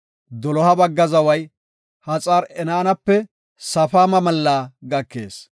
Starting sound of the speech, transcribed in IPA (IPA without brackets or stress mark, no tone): d̪